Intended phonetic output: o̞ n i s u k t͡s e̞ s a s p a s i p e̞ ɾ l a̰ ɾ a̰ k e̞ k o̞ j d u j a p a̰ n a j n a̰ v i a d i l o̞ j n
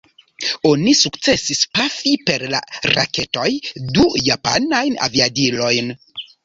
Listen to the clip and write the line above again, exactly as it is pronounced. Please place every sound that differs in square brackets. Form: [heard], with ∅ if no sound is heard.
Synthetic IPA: o̞ n i s u k t͡s e̞ s [i] s p a [f] i p e̞ ɾ l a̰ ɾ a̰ k e̞ [t] o̞ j d u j a p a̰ n a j n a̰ v i a d i l o̞ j n